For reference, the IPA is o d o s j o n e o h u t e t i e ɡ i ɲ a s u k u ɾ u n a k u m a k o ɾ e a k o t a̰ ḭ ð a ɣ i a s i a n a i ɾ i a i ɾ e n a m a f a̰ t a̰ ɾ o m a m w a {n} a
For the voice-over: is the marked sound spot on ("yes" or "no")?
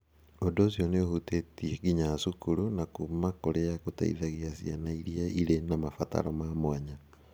no